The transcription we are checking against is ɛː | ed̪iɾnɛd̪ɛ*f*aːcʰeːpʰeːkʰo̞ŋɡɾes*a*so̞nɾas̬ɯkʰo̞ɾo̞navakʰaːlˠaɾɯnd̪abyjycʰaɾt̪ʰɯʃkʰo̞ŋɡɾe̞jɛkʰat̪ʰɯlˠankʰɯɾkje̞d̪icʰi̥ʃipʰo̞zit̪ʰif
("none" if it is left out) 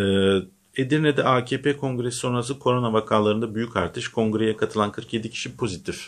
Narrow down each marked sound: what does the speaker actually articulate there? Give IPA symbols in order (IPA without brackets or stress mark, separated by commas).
none, i